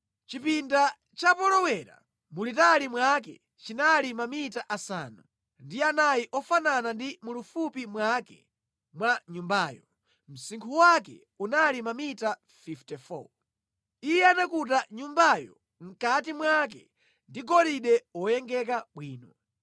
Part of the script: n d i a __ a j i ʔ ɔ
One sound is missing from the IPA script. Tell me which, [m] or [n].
n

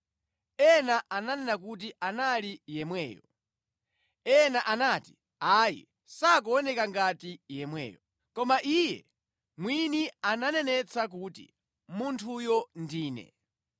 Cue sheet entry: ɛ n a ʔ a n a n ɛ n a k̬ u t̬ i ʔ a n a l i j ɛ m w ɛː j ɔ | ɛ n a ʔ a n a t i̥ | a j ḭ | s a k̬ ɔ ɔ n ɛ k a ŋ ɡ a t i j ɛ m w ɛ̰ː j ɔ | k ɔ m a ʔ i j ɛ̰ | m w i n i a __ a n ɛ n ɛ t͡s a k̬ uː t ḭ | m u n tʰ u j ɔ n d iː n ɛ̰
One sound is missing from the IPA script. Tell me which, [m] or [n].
n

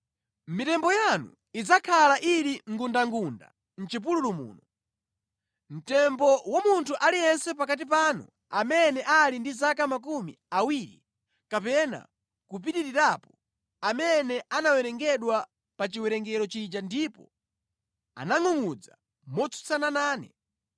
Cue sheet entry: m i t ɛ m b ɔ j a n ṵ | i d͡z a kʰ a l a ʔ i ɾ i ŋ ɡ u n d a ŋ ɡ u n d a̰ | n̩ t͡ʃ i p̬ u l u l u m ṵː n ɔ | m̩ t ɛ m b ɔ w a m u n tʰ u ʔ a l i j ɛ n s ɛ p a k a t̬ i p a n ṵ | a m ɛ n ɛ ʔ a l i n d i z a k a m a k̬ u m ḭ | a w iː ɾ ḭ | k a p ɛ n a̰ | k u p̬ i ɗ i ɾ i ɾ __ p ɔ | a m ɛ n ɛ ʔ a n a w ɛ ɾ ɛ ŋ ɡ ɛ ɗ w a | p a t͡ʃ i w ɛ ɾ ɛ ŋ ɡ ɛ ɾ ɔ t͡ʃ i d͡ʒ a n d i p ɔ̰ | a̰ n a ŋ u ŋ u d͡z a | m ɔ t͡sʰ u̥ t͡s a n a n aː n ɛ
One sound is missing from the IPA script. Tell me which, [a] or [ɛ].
a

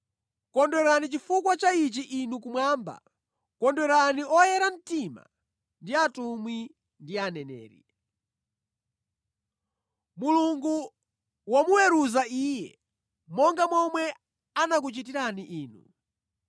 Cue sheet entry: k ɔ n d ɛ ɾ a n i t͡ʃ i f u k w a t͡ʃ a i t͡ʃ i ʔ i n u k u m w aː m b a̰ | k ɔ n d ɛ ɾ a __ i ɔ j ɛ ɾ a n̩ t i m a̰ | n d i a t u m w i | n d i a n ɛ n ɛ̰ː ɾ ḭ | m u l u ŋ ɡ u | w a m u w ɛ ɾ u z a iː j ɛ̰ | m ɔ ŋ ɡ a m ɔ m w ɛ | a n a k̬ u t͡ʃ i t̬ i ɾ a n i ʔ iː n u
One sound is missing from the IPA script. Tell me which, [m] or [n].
n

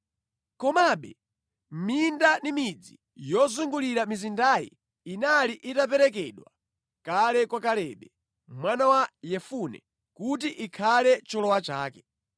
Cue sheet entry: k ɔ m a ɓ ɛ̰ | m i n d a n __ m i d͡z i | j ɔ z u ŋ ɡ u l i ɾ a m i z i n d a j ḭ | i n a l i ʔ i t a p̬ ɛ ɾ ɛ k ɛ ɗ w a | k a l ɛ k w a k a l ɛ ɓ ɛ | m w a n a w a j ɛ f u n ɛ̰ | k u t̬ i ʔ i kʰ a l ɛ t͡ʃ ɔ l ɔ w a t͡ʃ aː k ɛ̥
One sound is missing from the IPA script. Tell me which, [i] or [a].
i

